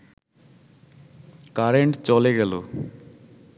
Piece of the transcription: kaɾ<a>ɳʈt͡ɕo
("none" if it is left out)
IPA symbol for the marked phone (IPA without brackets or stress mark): e